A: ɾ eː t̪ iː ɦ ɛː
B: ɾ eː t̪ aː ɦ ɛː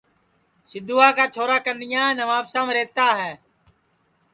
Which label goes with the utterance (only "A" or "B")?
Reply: B